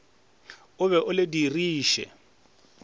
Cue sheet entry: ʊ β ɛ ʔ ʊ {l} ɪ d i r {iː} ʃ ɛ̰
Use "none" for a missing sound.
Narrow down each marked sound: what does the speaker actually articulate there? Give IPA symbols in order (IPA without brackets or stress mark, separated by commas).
l, iː